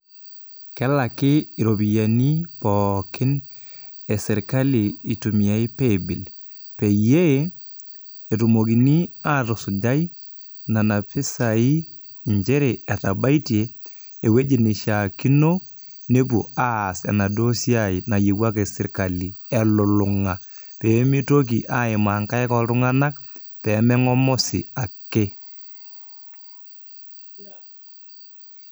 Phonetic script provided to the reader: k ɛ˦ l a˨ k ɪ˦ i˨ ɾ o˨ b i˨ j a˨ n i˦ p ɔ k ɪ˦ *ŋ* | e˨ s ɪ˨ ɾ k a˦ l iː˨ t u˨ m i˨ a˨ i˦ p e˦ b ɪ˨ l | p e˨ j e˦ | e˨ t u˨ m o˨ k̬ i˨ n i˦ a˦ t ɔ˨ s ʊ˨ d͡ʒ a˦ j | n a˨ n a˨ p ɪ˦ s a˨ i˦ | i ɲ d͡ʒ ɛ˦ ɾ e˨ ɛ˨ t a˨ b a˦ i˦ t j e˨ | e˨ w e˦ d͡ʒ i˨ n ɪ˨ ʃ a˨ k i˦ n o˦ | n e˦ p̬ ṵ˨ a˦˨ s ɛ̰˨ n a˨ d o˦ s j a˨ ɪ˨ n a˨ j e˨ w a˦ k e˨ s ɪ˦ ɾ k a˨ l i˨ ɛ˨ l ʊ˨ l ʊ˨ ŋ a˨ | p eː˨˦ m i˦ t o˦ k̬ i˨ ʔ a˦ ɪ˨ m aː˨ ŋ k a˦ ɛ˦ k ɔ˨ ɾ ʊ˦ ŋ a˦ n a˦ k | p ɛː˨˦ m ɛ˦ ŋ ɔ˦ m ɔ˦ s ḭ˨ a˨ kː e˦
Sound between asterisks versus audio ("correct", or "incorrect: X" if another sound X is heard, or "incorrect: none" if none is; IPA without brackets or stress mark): incorrect: n